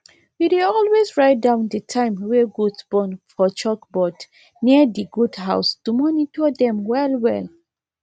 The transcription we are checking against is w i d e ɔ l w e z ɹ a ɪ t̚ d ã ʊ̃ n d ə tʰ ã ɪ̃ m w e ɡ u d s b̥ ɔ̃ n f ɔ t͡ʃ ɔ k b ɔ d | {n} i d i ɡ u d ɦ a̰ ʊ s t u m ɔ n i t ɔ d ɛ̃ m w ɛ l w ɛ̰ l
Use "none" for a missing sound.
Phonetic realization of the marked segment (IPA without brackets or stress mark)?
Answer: n